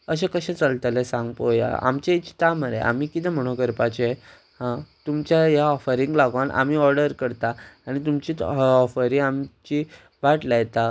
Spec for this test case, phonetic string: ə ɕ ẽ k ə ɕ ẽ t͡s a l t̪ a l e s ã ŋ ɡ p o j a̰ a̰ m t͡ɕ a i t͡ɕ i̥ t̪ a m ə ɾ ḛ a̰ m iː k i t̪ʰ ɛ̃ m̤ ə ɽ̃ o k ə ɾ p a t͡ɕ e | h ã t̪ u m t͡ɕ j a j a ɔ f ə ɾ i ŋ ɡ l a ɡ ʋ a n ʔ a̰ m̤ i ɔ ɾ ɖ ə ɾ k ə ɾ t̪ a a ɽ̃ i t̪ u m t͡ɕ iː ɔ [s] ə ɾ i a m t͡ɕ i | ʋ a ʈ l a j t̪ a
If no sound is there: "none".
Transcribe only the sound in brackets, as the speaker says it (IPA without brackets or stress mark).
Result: f